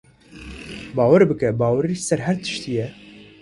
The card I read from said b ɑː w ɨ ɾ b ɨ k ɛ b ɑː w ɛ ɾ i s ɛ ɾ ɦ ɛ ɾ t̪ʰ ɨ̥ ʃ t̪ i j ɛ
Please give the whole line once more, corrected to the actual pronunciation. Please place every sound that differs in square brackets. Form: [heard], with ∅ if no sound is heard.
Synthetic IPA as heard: b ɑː w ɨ ɾ b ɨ k ɛ b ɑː w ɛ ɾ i s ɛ ɾ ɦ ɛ ɾ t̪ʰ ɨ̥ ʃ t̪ i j ɛ